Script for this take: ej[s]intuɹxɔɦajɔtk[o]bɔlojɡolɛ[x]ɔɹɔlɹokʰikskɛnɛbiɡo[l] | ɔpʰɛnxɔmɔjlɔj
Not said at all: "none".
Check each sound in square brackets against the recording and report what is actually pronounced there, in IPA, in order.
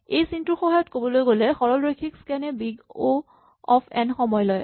s, o, x, none

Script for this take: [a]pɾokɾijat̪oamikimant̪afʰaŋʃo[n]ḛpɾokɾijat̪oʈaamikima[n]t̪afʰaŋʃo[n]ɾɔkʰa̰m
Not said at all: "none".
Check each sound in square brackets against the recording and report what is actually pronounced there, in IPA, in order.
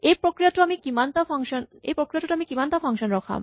e, n, n, n

